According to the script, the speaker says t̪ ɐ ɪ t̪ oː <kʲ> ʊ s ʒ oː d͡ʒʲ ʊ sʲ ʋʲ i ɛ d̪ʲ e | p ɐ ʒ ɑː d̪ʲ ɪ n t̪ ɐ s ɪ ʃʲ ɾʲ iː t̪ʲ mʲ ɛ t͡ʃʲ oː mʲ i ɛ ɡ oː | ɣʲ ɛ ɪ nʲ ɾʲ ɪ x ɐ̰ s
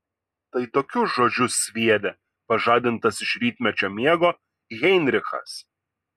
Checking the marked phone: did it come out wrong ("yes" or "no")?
no